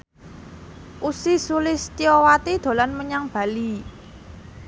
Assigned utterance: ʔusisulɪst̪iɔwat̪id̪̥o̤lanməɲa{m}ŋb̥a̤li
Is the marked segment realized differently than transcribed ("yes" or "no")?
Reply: yes